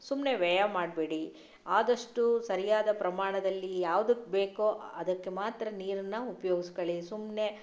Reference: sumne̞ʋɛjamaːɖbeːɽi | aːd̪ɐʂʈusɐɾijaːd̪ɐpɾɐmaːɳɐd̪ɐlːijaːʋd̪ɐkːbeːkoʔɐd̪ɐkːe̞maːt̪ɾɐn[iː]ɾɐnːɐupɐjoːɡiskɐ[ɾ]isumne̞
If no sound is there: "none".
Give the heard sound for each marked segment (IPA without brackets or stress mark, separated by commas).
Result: iː, ɭ